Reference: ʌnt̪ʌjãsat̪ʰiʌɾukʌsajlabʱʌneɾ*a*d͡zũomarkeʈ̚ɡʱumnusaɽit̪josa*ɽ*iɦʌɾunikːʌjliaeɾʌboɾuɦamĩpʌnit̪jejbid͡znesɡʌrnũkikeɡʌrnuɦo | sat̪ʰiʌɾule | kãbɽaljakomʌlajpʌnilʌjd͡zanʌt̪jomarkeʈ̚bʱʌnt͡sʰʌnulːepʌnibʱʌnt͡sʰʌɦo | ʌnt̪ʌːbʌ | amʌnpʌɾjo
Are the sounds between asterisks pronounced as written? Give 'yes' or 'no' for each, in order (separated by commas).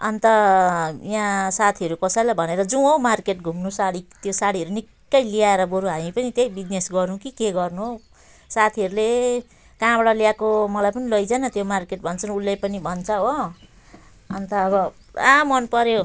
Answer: no, yes